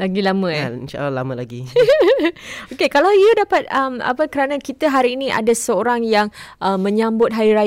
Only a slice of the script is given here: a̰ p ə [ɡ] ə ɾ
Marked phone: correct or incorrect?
incorrect